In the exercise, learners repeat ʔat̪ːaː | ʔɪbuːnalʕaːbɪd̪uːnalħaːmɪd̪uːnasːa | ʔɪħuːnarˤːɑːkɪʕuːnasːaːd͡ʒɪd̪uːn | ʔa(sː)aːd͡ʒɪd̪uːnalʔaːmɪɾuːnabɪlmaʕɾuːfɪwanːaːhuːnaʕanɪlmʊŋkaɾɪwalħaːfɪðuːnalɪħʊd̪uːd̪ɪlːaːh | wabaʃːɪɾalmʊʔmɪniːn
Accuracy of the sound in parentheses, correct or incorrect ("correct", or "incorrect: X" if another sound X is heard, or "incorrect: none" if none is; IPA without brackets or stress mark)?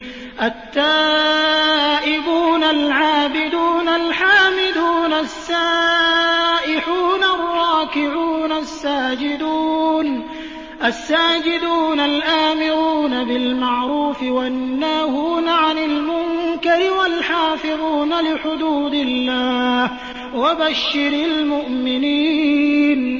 correct